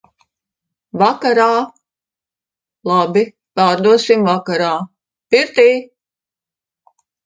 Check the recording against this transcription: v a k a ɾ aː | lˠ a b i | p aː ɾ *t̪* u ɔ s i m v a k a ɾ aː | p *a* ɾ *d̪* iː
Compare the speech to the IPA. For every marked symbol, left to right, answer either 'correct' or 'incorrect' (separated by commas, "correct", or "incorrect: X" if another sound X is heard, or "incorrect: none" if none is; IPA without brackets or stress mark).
incorrect: d̪, incorrect: i, incorrect: t̪